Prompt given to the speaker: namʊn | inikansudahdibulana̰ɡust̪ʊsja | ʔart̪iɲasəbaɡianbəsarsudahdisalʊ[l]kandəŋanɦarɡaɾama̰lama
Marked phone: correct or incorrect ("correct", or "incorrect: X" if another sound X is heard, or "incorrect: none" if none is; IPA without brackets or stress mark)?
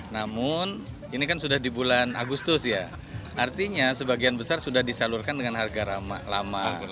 incorrect: r